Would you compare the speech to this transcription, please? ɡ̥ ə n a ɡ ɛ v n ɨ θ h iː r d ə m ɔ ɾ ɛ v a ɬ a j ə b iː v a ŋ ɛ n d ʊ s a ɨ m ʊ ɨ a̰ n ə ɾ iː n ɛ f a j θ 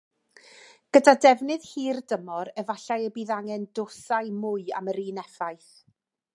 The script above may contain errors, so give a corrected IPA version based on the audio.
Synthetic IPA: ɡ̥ ə d a d ɛ v n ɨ ð h iː r d ə m ɔ ɾ ɛ v a ɬ a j ə b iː ð a ŋ ɛ n d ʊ s a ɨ m ʊ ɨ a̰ m ə ɾ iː n ɛ f a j θ